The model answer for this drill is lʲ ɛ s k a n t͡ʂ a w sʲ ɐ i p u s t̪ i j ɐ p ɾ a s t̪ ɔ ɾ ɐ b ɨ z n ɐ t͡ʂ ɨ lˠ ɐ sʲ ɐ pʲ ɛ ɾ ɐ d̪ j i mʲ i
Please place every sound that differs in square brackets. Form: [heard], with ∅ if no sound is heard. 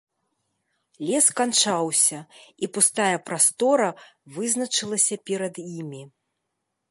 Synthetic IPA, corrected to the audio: lʲ ɛ s k a n t͡ʂ a w sʲ ɐ i p u s t̪ [a] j ɐ p ɾ a s t̪ ɔ ɾ ɐ [v] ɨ z n ɐ t͡ʂ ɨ lˠ ɐ sʲ ɐ pʲ ɛ ɾ ɐ d̪ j i mʲ i